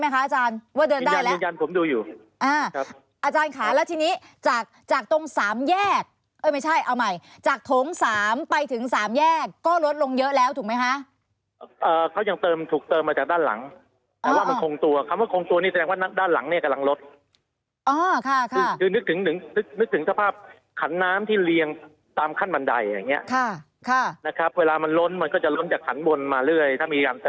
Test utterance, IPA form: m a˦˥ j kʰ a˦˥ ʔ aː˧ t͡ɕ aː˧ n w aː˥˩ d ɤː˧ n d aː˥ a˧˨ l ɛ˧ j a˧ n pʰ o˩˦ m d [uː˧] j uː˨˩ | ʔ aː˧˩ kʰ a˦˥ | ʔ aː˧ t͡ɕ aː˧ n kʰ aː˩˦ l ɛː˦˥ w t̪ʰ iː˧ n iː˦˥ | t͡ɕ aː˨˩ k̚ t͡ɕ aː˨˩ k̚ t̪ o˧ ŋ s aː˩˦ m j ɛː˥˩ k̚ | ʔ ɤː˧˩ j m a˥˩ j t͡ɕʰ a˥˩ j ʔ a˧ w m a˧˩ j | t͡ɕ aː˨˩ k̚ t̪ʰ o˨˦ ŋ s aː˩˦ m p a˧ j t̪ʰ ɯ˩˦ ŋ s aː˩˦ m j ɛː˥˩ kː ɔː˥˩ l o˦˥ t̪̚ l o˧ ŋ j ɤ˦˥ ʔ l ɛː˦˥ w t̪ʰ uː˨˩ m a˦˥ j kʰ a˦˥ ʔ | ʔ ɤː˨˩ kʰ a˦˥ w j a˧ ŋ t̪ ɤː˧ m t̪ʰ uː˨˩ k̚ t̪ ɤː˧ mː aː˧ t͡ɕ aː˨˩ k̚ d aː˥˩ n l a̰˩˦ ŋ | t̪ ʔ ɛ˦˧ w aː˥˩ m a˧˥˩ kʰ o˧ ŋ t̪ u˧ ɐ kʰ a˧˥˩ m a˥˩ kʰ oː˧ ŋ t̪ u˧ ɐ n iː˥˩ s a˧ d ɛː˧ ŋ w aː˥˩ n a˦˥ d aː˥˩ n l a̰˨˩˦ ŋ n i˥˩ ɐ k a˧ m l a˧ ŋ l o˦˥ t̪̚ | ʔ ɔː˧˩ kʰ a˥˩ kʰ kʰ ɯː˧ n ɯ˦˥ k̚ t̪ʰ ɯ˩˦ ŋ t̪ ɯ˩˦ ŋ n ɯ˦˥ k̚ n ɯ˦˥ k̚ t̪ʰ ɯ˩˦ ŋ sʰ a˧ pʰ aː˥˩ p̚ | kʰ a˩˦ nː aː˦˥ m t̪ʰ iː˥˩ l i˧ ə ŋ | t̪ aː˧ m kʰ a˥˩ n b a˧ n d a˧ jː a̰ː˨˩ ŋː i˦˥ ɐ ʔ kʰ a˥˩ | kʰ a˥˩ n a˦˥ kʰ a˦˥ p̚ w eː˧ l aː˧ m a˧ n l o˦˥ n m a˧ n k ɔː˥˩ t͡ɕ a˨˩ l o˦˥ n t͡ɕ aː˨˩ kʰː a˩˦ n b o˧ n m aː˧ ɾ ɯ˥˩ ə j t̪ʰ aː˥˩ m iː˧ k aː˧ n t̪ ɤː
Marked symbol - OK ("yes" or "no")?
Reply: yes